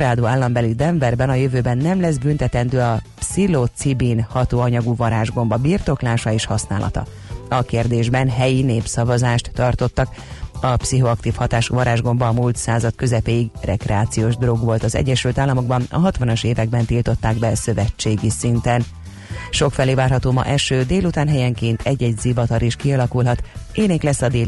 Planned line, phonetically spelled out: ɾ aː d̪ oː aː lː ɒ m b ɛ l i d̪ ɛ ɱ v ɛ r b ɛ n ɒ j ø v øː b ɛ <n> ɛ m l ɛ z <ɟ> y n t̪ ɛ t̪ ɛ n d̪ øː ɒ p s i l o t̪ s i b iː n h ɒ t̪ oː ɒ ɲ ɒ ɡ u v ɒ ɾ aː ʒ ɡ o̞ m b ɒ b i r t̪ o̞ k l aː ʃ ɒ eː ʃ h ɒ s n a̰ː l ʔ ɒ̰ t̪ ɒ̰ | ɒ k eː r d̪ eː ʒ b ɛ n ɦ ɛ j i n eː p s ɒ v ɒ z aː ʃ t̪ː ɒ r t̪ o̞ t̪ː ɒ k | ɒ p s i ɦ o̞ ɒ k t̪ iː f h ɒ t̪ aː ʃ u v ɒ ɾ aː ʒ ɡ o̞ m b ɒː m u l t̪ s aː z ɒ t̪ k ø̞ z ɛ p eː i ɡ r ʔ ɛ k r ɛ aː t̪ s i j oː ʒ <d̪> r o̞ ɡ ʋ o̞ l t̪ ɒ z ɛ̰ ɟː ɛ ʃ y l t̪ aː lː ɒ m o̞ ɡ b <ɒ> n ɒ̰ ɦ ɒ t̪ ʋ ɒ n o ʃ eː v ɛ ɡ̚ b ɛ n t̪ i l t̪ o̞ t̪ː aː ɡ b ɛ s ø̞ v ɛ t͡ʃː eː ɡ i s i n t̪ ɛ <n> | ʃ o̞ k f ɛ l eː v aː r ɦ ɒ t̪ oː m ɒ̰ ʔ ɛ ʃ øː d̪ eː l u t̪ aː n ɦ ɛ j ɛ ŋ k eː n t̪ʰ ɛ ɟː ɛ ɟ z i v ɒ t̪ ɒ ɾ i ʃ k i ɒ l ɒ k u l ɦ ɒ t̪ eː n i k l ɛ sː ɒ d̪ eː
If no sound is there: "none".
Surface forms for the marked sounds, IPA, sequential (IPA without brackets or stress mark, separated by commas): nː, b, d̪, ɒ, n